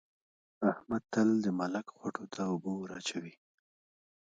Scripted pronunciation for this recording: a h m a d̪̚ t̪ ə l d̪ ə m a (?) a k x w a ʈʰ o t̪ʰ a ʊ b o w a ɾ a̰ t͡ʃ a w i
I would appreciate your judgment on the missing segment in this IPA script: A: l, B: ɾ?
A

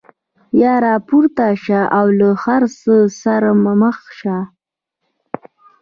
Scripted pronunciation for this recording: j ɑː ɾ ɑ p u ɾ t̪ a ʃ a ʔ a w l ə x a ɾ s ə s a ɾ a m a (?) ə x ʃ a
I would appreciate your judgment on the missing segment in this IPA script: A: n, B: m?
B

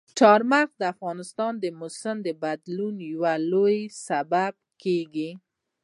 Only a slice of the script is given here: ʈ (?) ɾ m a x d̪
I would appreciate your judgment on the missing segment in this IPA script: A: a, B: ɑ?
B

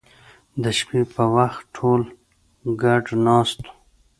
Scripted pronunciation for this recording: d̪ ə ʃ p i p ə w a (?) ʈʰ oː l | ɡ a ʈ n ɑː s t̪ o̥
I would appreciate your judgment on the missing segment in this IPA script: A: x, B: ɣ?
A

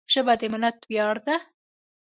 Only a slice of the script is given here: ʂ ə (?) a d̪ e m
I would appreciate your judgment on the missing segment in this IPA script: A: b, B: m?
A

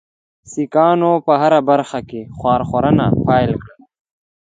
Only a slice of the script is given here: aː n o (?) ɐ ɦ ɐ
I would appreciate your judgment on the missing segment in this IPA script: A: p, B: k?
A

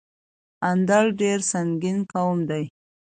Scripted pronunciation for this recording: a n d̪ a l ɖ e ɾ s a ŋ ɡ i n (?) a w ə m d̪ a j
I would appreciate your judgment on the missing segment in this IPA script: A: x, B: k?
B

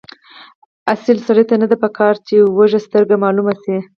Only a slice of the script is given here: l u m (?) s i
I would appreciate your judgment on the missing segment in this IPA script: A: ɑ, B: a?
B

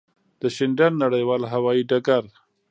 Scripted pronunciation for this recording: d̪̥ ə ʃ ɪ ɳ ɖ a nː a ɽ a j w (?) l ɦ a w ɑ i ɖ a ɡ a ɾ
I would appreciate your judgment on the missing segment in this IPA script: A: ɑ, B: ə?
A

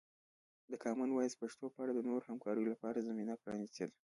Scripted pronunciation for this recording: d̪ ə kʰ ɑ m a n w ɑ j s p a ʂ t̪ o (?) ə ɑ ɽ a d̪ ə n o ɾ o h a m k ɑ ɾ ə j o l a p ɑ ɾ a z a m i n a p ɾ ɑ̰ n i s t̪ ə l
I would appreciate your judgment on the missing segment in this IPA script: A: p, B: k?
A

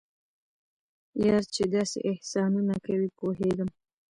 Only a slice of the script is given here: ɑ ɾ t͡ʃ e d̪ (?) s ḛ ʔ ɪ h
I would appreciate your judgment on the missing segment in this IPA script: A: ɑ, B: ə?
A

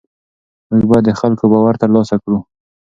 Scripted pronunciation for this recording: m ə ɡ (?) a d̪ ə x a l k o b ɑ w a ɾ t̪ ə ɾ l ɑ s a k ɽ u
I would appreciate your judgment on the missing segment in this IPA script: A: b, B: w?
A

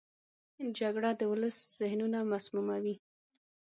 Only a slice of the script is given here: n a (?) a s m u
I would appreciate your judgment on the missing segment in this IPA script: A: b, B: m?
B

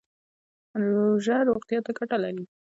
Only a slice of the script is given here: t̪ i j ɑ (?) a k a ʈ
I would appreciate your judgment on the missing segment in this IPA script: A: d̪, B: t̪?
B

